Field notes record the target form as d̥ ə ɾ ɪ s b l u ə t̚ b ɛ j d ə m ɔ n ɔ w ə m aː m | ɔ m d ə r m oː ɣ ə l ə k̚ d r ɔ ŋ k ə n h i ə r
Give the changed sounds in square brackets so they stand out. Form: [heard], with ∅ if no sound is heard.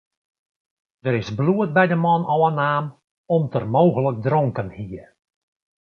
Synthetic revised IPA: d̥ ə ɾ ɪ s b l u ə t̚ b ɛ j d ə m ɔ n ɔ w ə [n] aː m | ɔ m [t] ə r m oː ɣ ə l ə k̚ d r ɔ ŋ k ə n h i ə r